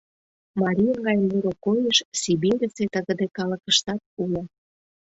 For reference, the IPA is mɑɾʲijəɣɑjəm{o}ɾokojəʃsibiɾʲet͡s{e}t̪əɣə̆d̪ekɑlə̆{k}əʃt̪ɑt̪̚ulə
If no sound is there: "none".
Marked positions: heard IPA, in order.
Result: u, e, k

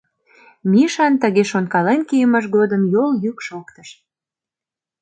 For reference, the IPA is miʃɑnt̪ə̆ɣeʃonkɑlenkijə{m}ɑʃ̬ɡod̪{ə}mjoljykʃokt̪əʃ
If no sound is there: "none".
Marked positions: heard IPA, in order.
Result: m, ə

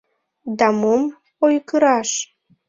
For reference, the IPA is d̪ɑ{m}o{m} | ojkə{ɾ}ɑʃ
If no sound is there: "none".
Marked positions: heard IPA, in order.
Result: m, m, ɾ

